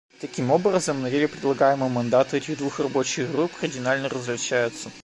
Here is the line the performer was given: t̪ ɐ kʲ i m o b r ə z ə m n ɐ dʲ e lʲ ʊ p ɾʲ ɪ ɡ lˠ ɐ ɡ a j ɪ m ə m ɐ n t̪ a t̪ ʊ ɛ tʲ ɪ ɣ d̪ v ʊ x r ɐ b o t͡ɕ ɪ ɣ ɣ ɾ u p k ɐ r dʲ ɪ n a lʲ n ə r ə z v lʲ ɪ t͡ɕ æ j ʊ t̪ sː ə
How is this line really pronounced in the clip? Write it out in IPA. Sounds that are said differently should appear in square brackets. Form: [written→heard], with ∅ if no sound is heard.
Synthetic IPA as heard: t̪ ɐ kʲ i m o b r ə z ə m n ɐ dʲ e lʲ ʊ p ɾʲ ɪ [ɡ→d] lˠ ɐ ɡ a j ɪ m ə m ɐ n [t̪→d̪] a t̪ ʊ ɛ tʲ ɪ ɣ d̪ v [ʊ→u] x r ɐ b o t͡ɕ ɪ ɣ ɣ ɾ u p k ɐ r dʲ ɪ n a lʲ n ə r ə z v lʲ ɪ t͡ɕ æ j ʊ t̪ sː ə

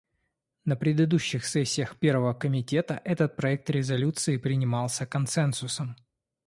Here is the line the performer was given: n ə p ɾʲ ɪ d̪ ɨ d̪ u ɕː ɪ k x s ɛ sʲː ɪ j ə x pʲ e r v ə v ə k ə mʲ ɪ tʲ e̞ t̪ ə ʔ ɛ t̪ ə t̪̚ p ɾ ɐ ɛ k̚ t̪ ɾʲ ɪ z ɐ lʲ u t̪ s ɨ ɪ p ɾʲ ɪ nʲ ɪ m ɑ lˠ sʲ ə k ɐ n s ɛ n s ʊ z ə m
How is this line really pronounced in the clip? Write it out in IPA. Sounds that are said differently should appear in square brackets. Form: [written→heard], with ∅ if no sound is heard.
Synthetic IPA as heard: n ə p ɾʲ ɪ d̪ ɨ d̪ u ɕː ɪ [k→∅] x s ɛ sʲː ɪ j ə x pʲ e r v ə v ə k ə mʲ ɪ tʲ e̞ t̪ ə ʔ ɛ t̪ ə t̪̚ p ɾ ɐ ɛ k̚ t̪ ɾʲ ɪ z ɐ lʲ u t̪ s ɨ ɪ p ɾʲ ɪ nʲ ɪ m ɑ lˠ sʲ ə k ɐ n s ɛ n s ʊ [z→s] ə m

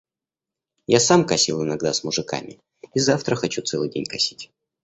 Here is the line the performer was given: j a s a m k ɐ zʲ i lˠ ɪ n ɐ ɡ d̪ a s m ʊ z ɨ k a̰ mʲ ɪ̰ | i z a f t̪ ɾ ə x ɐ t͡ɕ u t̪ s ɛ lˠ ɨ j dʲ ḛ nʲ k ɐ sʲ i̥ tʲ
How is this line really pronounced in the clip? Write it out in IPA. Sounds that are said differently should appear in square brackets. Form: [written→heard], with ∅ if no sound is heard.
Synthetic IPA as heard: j a s a m k ɐ [zʲ→sʲ] i lˠ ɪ n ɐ ɡ d̪ a s m ʊ [z→ʐ] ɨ k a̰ mʲ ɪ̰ | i z a f t̪ ɾ ə x ɐ t͡ɕ u t̪ s ɛ lˠ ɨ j dʲ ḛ nʲ k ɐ sʲ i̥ tʲ

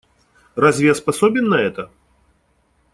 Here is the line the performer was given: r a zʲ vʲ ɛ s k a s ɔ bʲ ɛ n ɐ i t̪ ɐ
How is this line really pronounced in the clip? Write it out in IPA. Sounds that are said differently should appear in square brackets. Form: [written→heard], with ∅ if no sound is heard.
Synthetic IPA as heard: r a zʲ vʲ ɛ s [k→p] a s ɔ bʲ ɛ [n→nː] ɐ [i→ɛ] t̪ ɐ

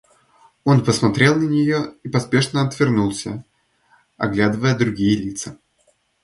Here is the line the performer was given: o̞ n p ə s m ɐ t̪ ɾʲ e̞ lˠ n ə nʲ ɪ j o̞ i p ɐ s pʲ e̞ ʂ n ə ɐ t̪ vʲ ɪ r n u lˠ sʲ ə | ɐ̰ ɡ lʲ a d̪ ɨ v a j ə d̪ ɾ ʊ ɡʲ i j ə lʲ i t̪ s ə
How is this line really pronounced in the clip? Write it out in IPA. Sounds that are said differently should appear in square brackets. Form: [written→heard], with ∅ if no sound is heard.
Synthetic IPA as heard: o̞ n p ə s m ɐ t̪ ɾʲ e̞ lˠ n ə nʲ ɪ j o̞ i p ɐ s pʲ e̞ ʂ n ə ɐ t̪ vʲ ɪ r n u lˠ sʲ ə | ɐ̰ ɡ lʲ a d̪ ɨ v [a→ə] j ə d̪ ɾ ʊ ɡʲ i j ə lʲ i t̪ s ə

